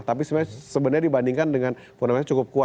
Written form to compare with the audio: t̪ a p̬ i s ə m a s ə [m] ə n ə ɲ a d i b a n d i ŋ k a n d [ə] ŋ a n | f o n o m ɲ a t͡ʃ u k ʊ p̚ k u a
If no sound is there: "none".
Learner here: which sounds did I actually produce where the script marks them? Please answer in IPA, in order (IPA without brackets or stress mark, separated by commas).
b, ə